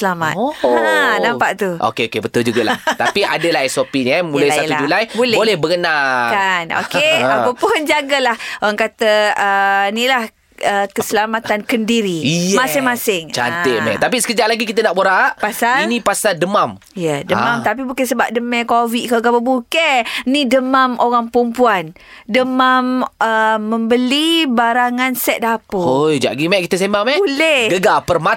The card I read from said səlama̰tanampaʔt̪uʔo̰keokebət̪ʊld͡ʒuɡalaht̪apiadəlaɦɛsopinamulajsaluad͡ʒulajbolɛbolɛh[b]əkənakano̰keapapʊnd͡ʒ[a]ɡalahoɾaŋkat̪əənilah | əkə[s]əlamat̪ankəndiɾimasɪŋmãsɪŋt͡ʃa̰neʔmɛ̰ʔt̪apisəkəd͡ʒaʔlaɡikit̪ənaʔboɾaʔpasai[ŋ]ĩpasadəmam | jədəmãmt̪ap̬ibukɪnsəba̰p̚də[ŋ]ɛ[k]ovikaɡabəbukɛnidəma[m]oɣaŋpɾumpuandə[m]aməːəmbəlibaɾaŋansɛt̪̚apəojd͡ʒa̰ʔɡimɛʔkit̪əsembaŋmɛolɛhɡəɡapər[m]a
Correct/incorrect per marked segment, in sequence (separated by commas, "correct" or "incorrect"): correct, correct, correct, incorrect, incorrect, correct, correct, correct, correct